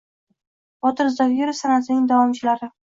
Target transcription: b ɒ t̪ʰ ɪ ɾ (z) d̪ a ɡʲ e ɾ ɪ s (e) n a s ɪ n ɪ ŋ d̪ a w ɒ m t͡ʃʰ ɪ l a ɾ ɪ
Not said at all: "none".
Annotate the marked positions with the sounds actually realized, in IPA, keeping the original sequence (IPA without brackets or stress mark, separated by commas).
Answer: z, a